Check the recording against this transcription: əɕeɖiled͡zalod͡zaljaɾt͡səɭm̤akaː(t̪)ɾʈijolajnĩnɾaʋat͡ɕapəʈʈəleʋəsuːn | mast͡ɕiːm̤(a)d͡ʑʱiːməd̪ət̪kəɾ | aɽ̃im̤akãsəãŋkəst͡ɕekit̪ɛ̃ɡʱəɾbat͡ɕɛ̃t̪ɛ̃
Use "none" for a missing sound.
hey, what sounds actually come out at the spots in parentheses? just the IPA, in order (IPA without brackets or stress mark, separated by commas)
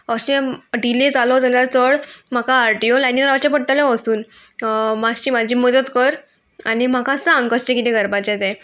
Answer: none, a